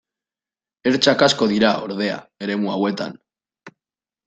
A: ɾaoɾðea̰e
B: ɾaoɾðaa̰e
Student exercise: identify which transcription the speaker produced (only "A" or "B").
A